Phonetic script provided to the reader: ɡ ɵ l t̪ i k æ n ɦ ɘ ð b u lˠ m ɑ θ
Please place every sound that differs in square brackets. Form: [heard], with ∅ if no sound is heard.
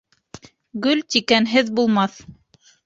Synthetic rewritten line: ɡ ɵ l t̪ i k æ n ɦ ɘ ð b u lˠ m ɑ θ

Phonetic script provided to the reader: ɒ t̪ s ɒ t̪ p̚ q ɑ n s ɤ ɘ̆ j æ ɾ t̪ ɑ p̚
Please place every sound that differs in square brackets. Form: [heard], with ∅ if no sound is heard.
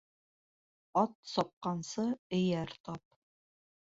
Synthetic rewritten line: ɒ t̪ s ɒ [∅] p̚ q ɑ n s ɤ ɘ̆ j æ ɾ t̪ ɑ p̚

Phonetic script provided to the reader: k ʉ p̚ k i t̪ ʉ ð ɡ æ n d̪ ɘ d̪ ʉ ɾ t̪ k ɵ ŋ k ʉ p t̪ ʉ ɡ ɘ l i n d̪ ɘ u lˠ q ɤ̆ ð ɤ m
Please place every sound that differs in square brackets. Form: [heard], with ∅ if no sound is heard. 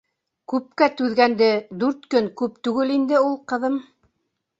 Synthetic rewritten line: k ʉ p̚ k [æ] t̪ ʉ ð ɡ æ n d̪ ɘ d̪ ʉ ɾ t̪ k ɵ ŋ k ʉ p t̪ ʉ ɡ ɘ l i n d̪ ɘ u lˠ q ɤ̆ ð ɤ m

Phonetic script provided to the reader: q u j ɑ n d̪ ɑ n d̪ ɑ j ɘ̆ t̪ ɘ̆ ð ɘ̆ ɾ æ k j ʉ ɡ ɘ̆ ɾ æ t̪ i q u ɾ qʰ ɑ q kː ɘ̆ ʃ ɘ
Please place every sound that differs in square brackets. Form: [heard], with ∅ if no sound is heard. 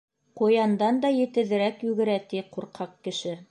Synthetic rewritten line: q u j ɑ n d̪ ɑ n d̪ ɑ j ɘ̆ t̪ ɘ̆ ð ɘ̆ ɾ æ k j ʉ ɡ ɘ̆ ɾ æ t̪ i q u ɾ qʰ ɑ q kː ɘ̆ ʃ ɘ

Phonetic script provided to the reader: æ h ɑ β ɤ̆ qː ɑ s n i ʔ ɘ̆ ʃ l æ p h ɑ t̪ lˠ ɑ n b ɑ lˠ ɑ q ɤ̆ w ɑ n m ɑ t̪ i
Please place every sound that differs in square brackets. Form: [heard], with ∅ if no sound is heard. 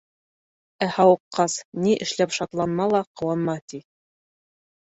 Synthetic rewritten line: æ h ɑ [w] ɤ̆ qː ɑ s n i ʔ ɘ̆ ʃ l æ p [ʃ] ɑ t̪ lˠ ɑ n [m] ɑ lˠ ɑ q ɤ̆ w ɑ n m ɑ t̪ i

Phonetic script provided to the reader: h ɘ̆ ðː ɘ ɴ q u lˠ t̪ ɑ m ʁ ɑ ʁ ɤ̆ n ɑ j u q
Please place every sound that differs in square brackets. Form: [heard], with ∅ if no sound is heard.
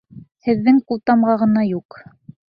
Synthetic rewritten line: h ɘ̆ ðː ɘ [ŋ] q u lˠ t̪ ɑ m ʁ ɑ ʁ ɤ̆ n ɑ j u q

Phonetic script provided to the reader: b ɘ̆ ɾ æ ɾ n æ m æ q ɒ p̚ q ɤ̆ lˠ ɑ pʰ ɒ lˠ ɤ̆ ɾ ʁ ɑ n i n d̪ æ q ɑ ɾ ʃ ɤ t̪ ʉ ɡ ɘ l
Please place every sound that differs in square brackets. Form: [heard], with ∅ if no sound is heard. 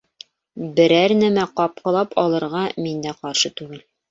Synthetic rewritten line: b ɘ̆ ɾ æ ɾ n æ m æ q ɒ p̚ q ɤ̆ lˠ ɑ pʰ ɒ lˠ ɤ̆ ɾ ʁ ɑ [m] i n d̪ æ q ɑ ɾ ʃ ɤ t̪ ʉ ɡ ɘ l

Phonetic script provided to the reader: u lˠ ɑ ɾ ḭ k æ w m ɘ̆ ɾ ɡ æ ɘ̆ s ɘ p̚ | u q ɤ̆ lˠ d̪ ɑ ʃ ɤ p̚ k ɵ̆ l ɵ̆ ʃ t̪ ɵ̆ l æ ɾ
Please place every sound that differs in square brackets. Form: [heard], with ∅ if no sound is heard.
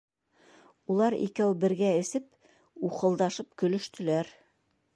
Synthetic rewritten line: u lˠ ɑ ɾ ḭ k æ w [b] ɘ̆ ɾ ɡ æ ɘ̆ s ɘ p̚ | u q ɤ̆ lˠ d̪ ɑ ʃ ɤ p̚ k ɵ̆ l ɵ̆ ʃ t̪ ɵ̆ l æ ɾ

